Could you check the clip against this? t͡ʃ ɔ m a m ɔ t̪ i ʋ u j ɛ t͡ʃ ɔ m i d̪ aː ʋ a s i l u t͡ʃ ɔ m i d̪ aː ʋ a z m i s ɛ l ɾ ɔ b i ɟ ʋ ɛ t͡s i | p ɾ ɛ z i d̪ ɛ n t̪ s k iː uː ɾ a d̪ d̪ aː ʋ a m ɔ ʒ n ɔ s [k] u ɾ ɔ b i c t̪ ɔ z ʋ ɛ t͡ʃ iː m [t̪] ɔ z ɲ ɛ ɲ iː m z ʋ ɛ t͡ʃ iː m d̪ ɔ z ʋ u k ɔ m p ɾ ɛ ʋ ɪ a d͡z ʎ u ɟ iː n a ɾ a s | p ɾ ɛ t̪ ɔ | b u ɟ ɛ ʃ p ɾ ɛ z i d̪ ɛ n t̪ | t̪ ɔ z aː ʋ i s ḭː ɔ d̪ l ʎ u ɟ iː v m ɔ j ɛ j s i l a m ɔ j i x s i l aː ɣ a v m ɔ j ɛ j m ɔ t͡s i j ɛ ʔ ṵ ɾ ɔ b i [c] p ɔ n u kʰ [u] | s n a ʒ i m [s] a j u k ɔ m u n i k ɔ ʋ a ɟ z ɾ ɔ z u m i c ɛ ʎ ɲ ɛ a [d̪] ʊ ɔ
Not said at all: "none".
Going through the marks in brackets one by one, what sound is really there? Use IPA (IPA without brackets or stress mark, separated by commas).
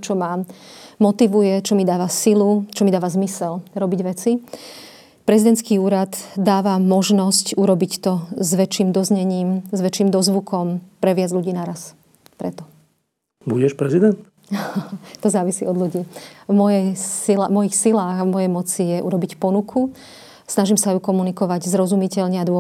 c, d̪, c, u, s, d̪